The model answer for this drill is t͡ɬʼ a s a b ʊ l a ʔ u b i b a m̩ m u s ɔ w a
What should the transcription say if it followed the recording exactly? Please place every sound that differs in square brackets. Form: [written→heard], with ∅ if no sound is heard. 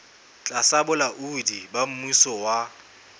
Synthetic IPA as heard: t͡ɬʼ a s a b ʊ l a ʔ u [b→d] i b a m̩ m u s ɔ w a